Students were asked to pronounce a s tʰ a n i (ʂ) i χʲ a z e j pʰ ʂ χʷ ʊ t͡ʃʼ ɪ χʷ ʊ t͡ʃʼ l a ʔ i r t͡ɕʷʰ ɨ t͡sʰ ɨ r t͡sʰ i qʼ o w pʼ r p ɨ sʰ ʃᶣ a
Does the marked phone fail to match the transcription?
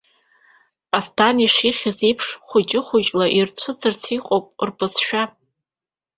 no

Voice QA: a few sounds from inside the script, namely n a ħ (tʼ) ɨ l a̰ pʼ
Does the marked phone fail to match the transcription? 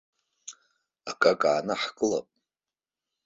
yes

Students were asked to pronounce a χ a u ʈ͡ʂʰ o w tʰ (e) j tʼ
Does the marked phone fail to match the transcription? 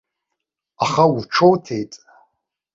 no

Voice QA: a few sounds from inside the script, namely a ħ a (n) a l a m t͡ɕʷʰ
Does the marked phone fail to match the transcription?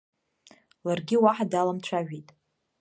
yes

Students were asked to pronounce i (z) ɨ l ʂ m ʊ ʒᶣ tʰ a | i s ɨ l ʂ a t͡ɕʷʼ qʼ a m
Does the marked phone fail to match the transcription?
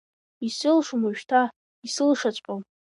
yes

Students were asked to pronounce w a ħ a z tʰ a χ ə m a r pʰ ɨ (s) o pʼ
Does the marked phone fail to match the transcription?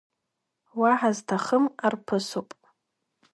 no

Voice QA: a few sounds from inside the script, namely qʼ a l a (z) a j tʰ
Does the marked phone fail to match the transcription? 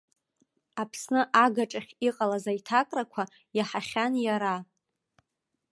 no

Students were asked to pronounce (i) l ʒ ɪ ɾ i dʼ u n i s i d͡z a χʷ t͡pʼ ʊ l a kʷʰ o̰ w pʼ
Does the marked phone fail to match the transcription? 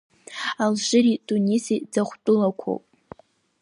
yes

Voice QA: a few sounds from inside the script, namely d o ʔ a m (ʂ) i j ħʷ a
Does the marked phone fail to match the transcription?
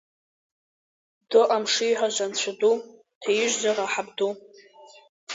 no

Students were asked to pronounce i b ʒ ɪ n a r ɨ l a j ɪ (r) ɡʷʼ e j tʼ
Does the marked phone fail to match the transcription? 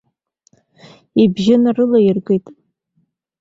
no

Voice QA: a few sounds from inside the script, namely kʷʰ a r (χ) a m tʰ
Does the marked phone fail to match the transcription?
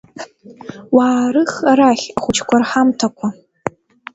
yes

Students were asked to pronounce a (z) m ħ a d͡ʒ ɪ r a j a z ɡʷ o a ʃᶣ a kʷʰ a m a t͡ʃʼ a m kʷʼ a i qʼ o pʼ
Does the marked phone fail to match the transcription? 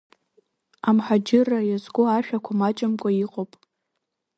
yes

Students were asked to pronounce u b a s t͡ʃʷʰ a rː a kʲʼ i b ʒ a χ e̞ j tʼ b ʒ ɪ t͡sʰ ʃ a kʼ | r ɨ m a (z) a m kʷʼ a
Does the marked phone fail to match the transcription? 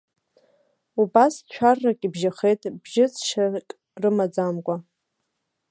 yes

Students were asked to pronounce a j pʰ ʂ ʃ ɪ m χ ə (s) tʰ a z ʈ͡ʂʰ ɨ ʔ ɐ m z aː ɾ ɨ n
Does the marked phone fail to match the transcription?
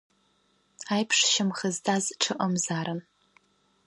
yes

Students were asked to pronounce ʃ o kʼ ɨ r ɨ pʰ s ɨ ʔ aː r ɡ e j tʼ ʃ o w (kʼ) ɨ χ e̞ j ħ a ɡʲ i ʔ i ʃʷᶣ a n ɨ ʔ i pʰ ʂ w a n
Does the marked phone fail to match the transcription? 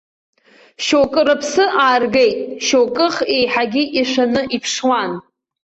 no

